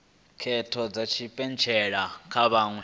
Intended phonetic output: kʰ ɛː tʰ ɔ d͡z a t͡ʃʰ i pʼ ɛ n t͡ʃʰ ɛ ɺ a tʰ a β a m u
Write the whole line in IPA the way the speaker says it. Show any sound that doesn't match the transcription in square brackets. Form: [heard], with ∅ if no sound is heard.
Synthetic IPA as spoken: kʰ [ɛ] tʰ ɔ d͡z a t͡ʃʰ i pʼ ɛ n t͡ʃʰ ɛ ɺ a [kʰ] a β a [ŋ] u